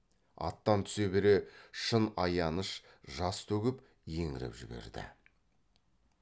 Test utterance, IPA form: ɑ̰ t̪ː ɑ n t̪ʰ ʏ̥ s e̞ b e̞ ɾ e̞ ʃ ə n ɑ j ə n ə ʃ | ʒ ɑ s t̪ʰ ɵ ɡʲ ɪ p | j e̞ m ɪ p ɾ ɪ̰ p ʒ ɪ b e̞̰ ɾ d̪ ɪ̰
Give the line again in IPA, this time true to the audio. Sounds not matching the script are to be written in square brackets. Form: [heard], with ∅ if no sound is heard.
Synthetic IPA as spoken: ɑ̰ t̪ː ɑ n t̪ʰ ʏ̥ s e̞ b e̞ ɾ e̞ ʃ ə n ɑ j [ɑ] n ə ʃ | ʒ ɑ s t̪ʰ ɵ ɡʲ ɪ p | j e̞ [ŋ] ɪ [∅] ɾ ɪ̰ p ʒ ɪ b e̞̰ ɾ d̪ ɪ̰